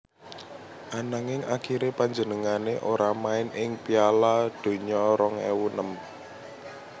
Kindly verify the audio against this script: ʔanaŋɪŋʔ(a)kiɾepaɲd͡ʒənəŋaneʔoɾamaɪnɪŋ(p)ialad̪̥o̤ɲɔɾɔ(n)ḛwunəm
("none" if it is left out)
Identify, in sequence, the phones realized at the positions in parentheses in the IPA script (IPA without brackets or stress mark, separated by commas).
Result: a, p, ŋ